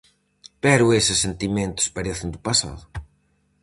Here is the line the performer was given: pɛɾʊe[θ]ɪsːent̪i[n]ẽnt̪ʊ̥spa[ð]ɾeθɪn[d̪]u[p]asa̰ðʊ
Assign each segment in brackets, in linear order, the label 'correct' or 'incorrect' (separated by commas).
incorrect, incorrect, incorrect, correct, correct